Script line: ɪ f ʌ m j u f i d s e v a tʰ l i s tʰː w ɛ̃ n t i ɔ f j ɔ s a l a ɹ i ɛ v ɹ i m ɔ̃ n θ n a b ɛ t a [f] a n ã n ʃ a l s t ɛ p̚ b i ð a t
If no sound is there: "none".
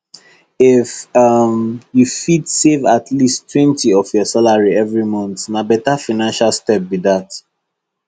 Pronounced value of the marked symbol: f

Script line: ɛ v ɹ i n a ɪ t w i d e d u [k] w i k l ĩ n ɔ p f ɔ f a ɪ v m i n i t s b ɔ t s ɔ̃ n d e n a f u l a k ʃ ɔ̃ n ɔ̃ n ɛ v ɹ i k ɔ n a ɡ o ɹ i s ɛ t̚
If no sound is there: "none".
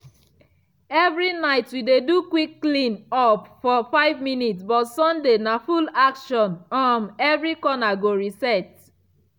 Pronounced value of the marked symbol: k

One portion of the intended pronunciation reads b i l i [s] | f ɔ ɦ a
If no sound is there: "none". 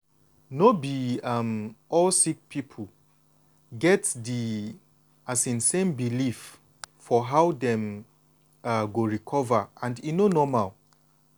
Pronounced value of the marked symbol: f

